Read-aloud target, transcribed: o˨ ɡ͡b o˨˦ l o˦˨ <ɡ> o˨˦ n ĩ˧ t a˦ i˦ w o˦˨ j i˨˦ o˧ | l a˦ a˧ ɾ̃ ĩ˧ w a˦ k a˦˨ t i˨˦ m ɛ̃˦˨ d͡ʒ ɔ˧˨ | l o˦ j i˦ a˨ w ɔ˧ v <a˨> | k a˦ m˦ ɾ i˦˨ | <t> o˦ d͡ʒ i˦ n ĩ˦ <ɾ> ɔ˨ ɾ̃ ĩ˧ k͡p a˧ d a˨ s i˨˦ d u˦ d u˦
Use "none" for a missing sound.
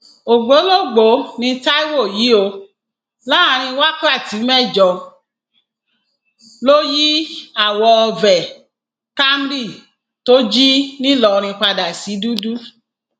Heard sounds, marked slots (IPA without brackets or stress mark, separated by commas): ɡ͡b, ɛ˨, t, l